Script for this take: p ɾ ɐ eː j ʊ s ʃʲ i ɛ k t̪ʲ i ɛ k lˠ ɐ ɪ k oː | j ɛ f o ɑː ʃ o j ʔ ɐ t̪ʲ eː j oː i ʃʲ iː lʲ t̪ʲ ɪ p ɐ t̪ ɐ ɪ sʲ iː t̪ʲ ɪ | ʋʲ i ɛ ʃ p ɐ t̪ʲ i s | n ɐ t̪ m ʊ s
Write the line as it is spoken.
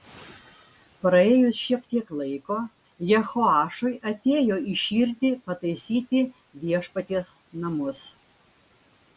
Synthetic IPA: p ɾ ɐ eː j ʊ s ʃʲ i ɛ k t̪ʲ i ɛ k lˠ ɐ ɪ k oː | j ɛ x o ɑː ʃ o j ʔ ɐ t̪ʲ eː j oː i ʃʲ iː ɾʲ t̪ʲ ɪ p ɐ t̪ ɐ ɪ sʲ iː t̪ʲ ɪ | ʋʲ i ɛ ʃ p ɐ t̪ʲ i s | n ɐ m ʊ s